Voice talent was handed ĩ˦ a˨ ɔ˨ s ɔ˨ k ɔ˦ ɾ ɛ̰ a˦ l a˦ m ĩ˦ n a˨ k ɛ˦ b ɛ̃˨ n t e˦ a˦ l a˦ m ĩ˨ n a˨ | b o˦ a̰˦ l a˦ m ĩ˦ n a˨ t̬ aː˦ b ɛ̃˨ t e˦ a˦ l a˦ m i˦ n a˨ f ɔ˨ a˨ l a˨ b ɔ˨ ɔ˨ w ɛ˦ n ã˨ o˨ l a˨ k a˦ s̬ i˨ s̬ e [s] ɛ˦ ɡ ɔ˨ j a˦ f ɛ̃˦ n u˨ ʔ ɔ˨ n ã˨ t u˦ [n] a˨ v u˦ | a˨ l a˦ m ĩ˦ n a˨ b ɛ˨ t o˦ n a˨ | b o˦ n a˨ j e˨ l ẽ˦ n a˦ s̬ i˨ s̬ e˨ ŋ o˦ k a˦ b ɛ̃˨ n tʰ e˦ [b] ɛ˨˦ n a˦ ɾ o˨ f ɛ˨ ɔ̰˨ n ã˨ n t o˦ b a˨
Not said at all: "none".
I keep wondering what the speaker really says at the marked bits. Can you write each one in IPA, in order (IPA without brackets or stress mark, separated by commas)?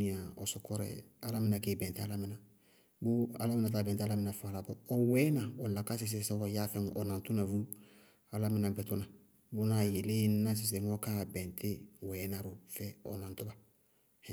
s, n, w